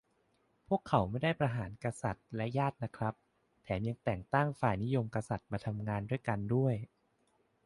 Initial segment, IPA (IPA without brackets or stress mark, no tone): pʰ